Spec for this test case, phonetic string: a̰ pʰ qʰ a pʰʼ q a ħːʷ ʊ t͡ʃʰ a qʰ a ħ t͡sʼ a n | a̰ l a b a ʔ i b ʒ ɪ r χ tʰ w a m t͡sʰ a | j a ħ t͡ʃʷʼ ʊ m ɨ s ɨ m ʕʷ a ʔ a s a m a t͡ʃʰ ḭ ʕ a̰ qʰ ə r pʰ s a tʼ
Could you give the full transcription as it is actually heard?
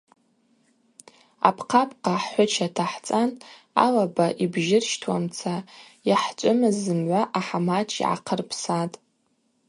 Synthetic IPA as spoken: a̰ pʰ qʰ a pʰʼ q a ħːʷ ʊ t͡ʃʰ a tʰ a ħ t͡sʼ a n | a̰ l a b a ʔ i b ʒ ɪ r ʃ tʰ w a m t͡sʰ a | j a ħ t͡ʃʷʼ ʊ m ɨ z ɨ m ʕʷ a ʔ a ħ a m a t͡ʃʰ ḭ ʕ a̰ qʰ ə r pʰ s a tʼ